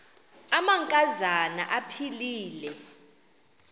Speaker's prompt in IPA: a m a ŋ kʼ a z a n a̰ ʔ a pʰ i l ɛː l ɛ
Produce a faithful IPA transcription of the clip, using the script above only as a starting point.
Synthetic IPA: a m a ŋ kʼ a z a n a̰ ʔ a pʰ i l iː l ɛ